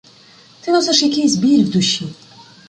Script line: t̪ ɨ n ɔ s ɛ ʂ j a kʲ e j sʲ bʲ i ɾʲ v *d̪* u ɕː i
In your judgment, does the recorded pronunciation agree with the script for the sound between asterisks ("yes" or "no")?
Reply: yes